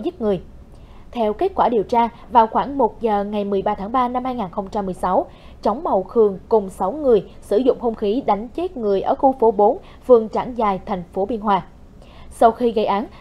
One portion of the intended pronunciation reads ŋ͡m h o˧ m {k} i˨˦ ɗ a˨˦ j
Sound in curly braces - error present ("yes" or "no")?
yes